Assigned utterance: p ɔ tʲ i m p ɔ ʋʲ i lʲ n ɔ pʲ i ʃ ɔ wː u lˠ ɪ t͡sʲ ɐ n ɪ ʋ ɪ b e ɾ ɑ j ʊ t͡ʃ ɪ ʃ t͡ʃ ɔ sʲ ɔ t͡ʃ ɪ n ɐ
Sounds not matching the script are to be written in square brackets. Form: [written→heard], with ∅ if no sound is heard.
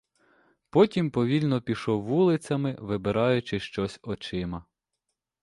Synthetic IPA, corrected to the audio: p ɔ tʲ i m p ɔ ʋʲ i lʲ n ɔ pʲ i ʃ ɔ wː u lˠ ɪ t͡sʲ ɐ [n→m] ɪ ʋ ɪ b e ɾ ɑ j ʊ t͡ʃ ɪ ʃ t͡ʃ ɔ sʲ ɔ t͡ʃ ɪ [n→m] ɐ